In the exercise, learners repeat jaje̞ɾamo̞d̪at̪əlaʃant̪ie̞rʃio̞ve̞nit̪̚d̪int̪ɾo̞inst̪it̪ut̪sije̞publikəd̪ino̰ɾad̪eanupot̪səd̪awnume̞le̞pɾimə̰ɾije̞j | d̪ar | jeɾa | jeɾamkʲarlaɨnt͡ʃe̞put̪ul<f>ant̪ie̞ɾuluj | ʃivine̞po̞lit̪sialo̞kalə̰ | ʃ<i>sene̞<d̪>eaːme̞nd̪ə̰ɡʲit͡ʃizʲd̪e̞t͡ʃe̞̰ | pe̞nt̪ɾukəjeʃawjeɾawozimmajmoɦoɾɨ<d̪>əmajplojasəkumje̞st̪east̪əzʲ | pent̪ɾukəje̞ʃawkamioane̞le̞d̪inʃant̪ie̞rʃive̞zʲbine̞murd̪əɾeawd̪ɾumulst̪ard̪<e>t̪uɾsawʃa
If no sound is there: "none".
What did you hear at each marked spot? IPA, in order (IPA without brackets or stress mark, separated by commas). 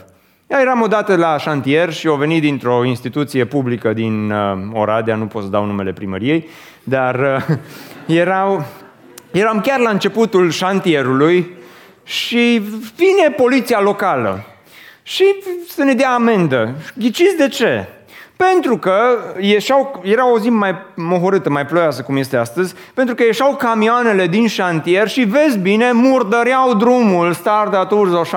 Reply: ʃ, i, d̪, t̪, a